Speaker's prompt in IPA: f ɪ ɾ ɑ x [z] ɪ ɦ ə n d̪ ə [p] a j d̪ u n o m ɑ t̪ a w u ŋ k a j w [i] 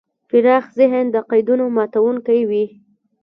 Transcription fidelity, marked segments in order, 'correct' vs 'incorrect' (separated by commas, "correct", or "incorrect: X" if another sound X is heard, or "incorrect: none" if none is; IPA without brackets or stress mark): correct, incorrect: q, correct